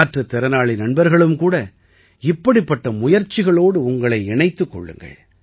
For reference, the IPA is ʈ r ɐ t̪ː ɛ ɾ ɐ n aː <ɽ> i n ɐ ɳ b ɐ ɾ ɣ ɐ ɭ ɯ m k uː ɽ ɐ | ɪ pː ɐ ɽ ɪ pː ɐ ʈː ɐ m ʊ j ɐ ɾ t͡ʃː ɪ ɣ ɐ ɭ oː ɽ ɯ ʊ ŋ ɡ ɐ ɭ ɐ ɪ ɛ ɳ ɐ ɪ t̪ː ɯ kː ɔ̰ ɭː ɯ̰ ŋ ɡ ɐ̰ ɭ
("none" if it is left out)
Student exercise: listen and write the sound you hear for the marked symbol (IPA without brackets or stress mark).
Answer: ɭ